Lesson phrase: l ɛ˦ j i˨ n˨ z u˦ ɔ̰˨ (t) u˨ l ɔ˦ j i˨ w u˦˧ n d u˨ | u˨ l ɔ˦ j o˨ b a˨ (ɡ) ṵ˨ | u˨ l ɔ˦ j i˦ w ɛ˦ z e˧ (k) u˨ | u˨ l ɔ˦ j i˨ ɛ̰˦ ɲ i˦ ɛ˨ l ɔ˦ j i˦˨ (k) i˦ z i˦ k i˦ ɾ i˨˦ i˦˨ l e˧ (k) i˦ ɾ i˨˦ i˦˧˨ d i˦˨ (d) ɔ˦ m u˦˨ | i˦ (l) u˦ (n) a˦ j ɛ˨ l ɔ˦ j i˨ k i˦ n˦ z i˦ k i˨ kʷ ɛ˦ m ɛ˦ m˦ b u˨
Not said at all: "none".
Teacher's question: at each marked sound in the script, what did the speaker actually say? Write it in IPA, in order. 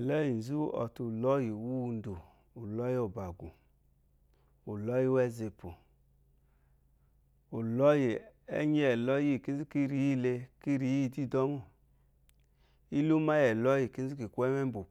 t, ɡ, p, k, k, d, l, m

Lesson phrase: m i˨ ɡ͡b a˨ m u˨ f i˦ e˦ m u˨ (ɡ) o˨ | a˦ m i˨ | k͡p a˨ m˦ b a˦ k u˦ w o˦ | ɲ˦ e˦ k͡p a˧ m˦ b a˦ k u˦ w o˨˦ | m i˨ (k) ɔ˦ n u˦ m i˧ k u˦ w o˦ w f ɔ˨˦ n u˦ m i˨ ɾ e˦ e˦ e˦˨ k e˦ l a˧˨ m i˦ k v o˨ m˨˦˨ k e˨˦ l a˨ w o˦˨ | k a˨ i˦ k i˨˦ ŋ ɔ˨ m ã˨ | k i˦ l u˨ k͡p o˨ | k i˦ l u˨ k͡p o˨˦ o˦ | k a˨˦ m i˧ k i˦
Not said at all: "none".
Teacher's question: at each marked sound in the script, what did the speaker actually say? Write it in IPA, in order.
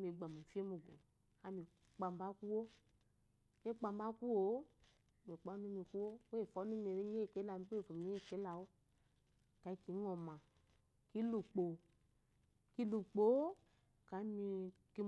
ɡ, k͡p

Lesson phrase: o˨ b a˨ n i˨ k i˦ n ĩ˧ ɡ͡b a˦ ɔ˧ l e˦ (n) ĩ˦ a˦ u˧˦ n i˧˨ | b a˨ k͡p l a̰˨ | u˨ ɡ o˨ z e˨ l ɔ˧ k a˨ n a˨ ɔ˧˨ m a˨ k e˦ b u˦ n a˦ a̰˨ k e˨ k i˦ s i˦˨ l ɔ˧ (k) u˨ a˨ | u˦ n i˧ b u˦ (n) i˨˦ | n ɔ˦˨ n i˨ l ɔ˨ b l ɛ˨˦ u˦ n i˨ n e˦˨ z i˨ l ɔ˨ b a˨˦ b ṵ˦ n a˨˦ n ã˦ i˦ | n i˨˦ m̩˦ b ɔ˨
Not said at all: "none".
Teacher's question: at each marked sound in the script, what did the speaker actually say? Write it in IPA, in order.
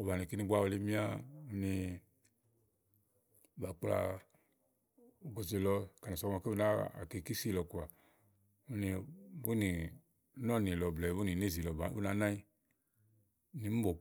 m, k, n

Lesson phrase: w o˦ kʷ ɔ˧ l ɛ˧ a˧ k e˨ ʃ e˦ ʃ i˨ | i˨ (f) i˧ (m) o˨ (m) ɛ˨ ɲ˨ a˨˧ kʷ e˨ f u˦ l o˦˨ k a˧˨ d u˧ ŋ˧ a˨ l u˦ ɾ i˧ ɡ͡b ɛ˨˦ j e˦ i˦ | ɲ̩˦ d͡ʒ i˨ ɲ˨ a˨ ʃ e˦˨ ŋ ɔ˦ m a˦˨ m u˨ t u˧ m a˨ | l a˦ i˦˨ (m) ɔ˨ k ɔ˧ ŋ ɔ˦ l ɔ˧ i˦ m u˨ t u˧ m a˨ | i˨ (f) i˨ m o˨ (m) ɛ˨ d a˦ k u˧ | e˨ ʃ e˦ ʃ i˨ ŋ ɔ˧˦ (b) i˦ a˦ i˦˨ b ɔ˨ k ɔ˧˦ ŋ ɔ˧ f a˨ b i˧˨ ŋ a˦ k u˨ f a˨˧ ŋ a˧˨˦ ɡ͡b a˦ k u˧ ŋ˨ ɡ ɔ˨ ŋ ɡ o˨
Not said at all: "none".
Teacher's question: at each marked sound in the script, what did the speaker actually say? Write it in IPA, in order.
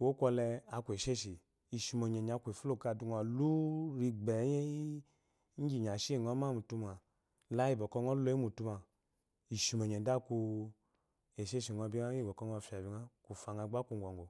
ʃ, m, ɲ, b, ʃ, ɲ, b

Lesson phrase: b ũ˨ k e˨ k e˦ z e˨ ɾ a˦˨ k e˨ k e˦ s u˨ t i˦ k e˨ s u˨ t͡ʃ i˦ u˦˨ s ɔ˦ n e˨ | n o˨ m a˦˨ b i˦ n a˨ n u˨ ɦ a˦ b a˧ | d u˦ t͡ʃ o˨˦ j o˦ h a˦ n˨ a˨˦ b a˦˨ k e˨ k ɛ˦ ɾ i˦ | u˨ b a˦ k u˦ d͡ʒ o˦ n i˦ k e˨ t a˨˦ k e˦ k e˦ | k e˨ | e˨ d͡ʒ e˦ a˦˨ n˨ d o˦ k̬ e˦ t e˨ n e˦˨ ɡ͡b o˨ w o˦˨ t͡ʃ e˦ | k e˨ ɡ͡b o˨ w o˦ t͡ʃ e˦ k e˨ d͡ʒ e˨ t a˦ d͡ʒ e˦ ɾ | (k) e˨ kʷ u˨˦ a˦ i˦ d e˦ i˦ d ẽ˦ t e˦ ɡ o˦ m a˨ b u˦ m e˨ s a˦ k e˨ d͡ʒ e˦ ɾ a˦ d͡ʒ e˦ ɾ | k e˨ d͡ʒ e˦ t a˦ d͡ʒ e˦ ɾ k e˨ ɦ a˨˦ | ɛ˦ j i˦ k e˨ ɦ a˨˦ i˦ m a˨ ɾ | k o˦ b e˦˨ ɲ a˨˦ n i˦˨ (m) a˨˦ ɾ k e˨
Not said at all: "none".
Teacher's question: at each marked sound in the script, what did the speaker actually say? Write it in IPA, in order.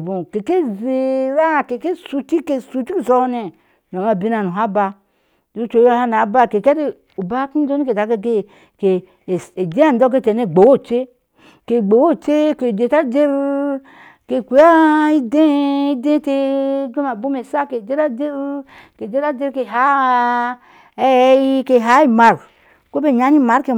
k, m

